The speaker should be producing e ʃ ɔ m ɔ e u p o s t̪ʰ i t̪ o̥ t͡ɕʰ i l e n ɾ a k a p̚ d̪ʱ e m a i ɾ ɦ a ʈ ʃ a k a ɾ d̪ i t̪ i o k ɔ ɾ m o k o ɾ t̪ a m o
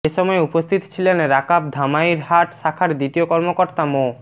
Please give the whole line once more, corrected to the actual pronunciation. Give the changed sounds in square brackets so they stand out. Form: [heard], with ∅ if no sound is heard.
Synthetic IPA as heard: e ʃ ɔ m ɔ e u p o s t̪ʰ i t̪ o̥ t͡ɕʰ i l e n ɾ a k a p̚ d̪ʱ [a] m a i ɾ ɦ a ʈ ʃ a [kʰ] a ɾ d̪ i t̪ i o k ɔ ɾ m o k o ɾ t̪ a m o